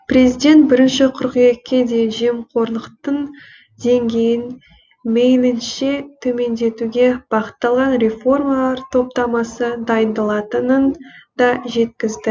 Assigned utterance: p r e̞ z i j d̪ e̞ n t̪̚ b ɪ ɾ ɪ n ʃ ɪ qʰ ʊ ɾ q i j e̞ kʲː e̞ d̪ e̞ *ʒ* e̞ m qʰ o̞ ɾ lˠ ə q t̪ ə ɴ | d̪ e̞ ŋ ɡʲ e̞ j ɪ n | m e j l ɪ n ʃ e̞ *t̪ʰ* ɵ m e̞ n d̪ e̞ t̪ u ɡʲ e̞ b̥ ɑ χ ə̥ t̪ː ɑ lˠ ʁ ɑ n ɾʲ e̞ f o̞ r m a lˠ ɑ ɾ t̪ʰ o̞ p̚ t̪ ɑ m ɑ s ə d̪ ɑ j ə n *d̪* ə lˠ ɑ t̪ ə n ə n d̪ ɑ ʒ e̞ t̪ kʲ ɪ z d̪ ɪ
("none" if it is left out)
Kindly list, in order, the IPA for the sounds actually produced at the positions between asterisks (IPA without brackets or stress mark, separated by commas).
ʒ, t̪ʰ, d̪